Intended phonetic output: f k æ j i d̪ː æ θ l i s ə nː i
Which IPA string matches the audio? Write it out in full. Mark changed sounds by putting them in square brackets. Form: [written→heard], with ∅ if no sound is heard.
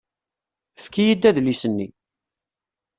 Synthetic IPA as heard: f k [æ→i] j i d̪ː æ [θ→ð] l i s ə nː i